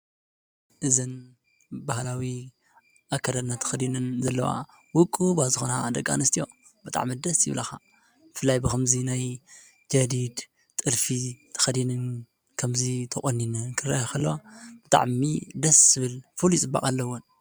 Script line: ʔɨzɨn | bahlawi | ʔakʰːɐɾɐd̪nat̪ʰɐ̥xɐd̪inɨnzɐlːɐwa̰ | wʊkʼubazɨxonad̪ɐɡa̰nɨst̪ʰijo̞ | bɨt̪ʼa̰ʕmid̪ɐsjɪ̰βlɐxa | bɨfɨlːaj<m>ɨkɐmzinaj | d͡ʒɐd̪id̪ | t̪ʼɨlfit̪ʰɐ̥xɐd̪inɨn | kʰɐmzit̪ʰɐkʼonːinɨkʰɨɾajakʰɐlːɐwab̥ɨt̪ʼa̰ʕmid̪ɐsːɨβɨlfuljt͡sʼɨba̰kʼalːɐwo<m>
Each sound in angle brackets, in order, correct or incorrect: incorrect: b, incorrect: n

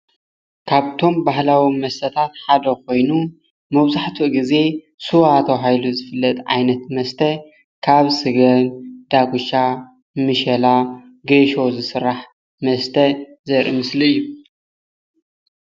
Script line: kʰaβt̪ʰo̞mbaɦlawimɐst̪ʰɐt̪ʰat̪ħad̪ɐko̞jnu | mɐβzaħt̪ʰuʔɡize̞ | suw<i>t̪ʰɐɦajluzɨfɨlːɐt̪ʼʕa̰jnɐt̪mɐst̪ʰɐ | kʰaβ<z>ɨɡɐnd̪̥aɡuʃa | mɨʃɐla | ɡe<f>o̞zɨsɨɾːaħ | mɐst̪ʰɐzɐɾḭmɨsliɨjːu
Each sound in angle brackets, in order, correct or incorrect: incorrect: a, incorrect: s, incorrect: ʃ

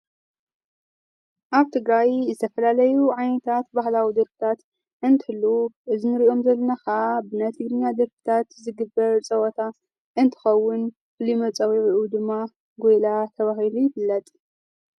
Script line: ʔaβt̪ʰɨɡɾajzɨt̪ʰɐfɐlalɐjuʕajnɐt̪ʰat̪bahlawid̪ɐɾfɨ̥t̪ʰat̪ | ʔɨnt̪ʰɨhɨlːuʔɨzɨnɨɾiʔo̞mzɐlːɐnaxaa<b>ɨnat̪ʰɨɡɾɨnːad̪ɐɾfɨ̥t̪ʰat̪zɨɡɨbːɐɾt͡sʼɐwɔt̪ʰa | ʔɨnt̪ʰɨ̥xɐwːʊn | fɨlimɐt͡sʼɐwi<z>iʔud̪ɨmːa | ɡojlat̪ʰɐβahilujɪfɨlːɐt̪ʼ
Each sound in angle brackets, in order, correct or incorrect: correct, incorrect: ʕ

